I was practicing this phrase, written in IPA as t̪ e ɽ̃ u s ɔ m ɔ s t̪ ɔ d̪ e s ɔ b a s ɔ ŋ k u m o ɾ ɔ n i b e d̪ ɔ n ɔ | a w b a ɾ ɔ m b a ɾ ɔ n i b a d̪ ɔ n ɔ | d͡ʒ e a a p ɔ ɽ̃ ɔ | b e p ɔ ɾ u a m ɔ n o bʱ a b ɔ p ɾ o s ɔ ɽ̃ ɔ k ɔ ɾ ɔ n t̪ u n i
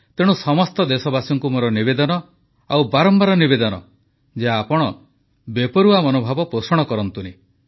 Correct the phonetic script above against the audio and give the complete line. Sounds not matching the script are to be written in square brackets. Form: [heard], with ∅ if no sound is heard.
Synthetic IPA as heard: t̪ e ɽ̃ u s ɔ m ɔ s t̪ ɔ d̪ e s ɔ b a s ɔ ŋ k u m o ɾ ɔ n i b e d̪ ɔ n ɔ | a w b a ɾ ɔ m b a ɾ ɔ n i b [e] d̪ ɔ n ɔ | d͡ʒ e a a p ɔ ɽ̃ ɔ | b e p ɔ ɾ u a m ɔ n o bʱ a b ɔ p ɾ o s ɔ ɽ̃ ɔ k ɔ ɾ ɔ n t̪ u n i